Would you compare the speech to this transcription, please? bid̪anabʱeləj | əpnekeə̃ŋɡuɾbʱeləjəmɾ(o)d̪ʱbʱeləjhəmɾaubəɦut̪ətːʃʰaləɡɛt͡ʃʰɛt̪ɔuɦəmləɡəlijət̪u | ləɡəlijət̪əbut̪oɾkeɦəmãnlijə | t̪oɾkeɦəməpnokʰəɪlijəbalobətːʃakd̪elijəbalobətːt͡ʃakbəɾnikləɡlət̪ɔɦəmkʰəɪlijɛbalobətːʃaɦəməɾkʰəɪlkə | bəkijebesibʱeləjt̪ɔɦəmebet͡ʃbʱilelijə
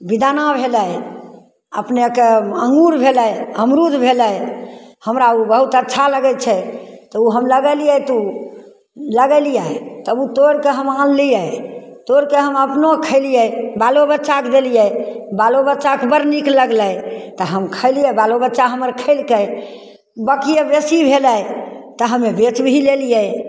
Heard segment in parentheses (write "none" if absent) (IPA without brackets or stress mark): u